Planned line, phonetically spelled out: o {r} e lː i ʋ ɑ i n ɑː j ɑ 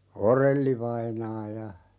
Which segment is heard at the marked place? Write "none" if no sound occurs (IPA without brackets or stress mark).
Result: r